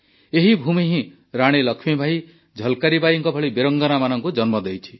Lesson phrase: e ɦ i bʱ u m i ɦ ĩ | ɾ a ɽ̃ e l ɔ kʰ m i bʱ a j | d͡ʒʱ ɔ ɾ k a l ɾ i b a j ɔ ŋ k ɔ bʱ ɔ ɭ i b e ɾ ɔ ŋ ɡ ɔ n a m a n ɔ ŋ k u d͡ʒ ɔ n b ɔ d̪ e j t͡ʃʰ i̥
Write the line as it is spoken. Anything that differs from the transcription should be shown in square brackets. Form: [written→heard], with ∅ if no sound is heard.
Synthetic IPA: e ɦ i bʱ u m i ɦ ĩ | ɾ a ɽ̃ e l ɔ kʰ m i bʱ a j | d͡ʒʱ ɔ [ɾ→l] k a [l→∅] ɾ i b a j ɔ ŋ k ɔ bʱ ɔ ɭ i b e ɾ ɔ ŋ ɡ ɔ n a m a n ɔ ŋ k u d͡ʒ ɔ n [b→m] ɔ d̪ e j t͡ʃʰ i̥